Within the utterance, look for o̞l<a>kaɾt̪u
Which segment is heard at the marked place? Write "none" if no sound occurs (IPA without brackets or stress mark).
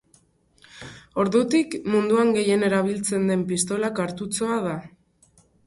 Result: a